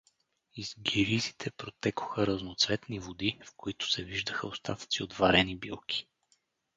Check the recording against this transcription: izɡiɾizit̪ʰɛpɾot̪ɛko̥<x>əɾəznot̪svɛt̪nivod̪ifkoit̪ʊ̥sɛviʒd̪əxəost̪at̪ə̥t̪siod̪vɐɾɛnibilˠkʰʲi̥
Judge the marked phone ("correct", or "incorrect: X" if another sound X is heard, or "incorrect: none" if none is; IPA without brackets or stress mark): correct